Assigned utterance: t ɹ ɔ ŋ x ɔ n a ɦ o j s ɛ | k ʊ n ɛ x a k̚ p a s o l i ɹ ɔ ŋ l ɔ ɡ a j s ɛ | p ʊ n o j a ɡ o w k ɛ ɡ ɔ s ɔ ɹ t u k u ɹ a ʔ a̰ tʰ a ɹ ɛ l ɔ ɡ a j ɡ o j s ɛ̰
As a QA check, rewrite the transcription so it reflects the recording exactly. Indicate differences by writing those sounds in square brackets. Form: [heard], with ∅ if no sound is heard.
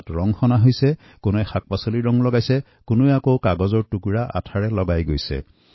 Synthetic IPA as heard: t ɹ ɔ ŋ x ɔ n a ɦ o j s ɛ | k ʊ n ɛ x a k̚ p a s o l i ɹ ɔ ŋ l ɔ ɡ a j s ɛ | [k] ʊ n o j a [k] o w k [a] ɡ ɔ [z] ɔ ɹ t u k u ɹ a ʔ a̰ tʰ a ɹ ɛ l ɔ ɡ a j ɡ o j s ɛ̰